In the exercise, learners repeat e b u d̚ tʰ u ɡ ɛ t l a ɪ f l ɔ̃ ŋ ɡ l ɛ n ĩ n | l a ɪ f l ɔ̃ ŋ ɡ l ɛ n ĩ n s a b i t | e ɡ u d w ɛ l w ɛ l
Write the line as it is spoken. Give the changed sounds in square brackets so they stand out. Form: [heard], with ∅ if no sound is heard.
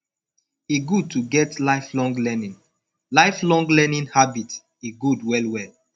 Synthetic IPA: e [ɡ] u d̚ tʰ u ɡ ɛ t l a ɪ f l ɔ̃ ŋ ɡ l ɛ n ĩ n | l a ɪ f l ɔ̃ ŋ ɡ l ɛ n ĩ n [h] a b i t | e ɡ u d w ɛ l w ɛ l

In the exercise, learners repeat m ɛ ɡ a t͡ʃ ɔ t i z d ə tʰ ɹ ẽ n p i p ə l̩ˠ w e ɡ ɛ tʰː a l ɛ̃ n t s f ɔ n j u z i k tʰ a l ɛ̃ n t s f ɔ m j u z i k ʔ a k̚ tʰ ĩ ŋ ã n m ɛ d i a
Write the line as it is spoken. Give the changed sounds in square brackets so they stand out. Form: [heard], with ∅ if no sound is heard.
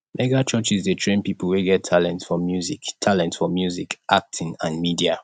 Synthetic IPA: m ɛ ɡ a t͡ʃ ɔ [t͡ʃ] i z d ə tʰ ɹ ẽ n p i p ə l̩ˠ w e ɡ ɛ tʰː a l ɛ̃ n t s f ɔ [m] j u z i k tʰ a l ɛ̃ n t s f ɔ m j u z i k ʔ a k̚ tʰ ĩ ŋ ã n m [i] d i a

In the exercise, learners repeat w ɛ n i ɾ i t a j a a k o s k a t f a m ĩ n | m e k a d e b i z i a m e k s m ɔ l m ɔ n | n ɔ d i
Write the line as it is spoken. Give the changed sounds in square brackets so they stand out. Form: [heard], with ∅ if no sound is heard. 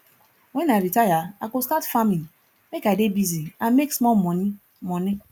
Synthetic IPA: w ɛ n [a] ɾ i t a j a a k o s k a t f a m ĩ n | m e k a d e b i z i a m e k s m ɔ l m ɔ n | [m] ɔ [n] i

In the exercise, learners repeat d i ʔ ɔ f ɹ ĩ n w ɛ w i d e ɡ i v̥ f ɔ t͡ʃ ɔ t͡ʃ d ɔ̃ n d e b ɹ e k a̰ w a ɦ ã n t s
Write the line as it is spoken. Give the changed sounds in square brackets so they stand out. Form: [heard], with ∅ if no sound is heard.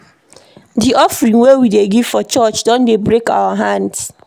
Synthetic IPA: d i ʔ ɔ f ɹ ĩ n w [e] w i d e ɡ i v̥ f ɔ t͡ʃ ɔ t͡ʃ d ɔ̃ n d e b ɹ e k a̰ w a ɦ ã n [d] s

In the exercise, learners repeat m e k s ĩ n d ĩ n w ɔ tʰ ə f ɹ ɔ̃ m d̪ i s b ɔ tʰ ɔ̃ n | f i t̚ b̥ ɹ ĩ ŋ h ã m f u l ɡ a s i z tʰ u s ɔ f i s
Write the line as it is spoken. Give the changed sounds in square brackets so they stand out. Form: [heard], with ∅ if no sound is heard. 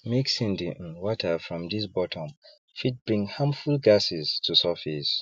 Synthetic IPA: m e k s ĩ n d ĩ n w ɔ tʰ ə f ɹ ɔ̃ m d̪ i s b ɔ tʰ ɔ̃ [m] | f i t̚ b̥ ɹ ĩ ŋ h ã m f u l ɡ a s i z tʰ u s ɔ f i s

